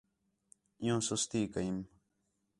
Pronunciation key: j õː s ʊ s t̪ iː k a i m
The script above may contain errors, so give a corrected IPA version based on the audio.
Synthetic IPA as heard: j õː s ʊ s t̪ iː k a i m